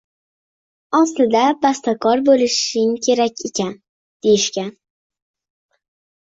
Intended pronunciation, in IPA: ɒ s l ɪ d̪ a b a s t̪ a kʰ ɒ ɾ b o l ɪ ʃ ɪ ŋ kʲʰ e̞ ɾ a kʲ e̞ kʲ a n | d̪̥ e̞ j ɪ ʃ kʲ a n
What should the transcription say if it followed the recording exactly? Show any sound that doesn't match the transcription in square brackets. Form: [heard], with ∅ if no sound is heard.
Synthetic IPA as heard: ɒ s l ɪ d̪ a b a s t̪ a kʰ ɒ ɾ b o l ɪ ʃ ɪ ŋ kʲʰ e̞ ɾ a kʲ e̞ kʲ a n | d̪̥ e̞ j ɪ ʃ kʲ a n